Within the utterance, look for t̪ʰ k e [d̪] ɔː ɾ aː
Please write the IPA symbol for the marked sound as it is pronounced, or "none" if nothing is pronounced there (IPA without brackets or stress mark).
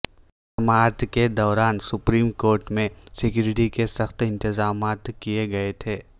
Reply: d̪